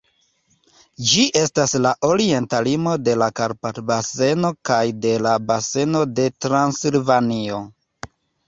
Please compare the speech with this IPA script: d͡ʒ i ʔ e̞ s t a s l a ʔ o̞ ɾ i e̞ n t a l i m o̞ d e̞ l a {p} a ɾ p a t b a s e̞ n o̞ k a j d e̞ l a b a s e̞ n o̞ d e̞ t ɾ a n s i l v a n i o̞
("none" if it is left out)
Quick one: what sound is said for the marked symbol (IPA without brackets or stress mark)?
k